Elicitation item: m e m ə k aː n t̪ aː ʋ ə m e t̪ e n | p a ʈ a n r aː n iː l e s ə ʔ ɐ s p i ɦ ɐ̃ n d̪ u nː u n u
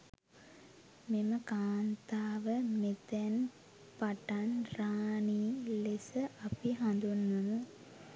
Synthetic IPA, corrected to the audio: m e m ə k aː n t̪ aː ʋ ə m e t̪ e n | p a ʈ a n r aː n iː l e s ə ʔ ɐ p i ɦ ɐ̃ n d̪ u nː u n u